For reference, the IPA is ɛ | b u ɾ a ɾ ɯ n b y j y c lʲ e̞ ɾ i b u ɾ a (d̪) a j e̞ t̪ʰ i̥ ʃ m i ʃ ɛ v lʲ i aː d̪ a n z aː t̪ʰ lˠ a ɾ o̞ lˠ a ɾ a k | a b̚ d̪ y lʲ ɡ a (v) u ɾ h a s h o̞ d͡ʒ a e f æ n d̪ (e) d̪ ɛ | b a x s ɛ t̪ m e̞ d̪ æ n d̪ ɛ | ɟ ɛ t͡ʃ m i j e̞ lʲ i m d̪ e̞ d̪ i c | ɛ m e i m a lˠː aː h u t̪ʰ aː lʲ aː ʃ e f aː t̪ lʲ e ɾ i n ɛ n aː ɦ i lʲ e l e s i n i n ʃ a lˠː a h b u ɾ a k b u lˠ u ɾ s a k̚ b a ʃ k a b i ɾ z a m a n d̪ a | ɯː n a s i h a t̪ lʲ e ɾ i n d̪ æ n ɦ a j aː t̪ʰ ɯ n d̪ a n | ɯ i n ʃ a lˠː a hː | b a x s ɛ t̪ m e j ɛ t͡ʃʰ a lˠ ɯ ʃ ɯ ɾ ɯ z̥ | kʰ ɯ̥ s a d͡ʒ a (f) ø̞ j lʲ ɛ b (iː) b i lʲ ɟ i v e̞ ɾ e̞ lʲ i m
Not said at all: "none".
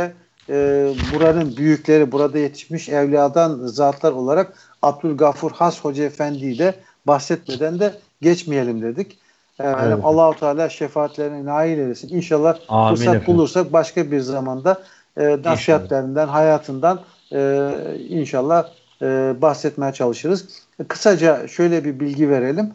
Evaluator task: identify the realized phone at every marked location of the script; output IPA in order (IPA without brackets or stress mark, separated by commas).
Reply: d̪, f, i, ʃ, i